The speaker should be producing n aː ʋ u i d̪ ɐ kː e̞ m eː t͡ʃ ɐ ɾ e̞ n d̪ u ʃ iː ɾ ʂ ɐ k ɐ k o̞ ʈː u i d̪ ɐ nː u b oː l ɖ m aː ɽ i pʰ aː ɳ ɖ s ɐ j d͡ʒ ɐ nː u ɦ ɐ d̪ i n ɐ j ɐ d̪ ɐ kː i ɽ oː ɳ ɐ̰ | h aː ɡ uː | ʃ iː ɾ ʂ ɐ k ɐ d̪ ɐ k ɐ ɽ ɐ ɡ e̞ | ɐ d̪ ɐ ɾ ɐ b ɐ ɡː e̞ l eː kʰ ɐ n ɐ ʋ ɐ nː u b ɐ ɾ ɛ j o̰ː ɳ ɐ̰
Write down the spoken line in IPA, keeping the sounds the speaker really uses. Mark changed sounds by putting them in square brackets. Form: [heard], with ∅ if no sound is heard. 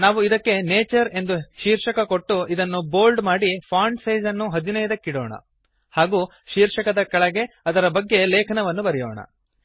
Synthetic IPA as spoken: n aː ʋ u i d̪ ɐ kː e̞ [n] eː t͡ʃ ɐ ɾ e̞ n d̪ u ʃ iː ɾ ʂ ɐ k ɐ k o̞ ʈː u i d̪ ɐ nː u b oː l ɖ m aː ɽ i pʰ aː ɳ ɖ s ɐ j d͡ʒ ɐ nː u ɦ ɐ d̪ i n ɐ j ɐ d̪ ɐ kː i ɽ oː ɳ ɐ̰ | h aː ɡ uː | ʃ iː ɾ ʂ ɐ k ɐ d̪ ɐ k ɐ [ɭ] ɐ ɡ e̞ | ɐ d̪ ɐ ɾ ɐ b ɐ ɡː e̞ l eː kʰ ɐ n ɐ ʋ ɐ nː u b ɐ ɾ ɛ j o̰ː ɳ ɐ̰